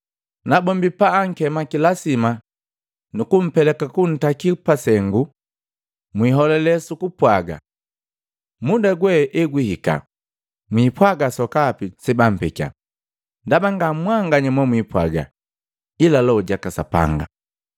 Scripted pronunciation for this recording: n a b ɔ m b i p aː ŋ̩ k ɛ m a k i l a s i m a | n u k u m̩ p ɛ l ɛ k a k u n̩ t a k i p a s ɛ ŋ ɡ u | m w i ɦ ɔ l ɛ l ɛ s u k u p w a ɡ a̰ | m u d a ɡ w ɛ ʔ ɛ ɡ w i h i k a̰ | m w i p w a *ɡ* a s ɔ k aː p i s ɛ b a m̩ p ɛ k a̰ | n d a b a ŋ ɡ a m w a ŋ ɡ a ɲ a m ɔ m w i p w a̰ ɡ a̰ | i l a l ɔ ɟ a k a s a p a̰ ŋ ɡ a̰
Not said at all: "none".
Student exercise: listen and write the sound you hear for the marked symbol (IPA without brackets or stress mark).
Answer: ɡ